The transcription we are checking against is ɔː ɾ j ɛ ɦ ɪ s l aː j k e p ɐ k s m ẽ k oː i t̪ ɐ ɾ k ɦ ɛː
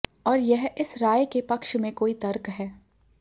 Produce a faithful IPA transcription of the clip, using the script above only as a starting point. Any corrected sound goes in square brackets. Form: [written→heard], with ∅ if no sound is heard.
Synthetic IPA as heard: ɔː ɾ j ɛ ɦ ɪ s [l→ɾ] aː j k e p ɐ k [s→ʃ] m ẽ k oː i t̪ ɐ ɾ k ɦ ɛː

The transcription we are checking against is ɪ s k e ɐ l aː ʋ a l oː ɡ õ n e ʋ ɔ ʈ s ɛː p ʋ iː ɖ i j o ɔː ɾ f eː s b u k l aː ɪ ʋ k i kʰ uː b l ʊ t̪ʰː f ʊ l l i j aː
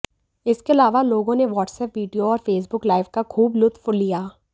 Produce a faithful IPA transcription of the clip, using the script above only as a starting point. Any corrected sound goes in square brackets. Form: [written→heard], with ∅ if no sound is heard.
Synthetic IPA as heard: ɪ s k e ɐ l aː ʋ a l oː ɡ õ n e ʋ [ɔ→ɔː] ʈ s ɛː p ʋ iː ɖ i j o ɔː ɾ f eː s b [u→ʊ] k l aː ɪ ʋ k [i→a] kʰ uː b l ʊ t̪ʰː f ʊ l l i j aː

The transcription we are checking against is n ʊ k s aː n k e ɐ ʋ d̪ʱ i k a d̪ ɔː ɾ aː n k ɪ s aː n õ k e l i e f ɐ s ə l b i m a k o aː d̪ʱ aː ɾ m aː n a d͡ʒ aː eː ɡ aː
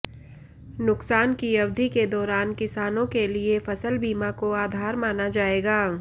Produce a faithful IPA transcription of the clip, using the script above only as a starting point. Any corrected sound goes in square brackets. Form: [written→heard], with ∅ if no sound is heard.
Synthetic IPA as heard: n ʊ k s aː n k [e→i] ɐ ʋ d̪ʱ i k [a→e] d̪ ɔː ɾ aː n k ɪ s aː n õ k e l i e f ɐ s ə l b [i→iː] m a k o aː d̪ʱ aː ɾ m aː n a d͡ʒ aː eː ɡ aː

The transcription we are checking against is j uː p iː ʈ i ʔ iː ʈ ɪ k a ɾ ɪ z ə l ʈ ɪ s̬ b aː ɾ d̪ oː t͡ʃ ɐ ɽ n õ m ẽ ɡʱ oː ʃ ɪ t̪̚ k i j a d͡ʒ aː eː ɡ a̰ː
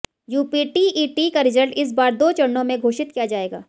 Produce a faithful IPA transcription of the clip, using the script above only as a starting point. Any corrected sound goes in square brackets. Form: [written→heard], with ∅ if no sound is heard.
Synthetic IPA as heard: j uː p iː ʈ i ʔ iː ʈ [ɪ→i] k a ɾ ɪ z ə l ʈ ɪ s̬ b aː ɾ d̪ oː t͡ʃ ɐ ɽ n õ m ẽ ɡʱ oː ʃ ɪ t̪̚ k i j a d͡ʒ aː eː ɡ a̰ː

